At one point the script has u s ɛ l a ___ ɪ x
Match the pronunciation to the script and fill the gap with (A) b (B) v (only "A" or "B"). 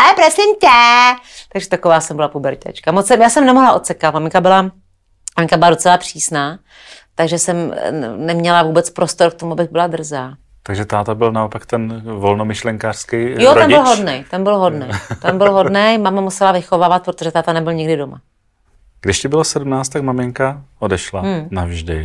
B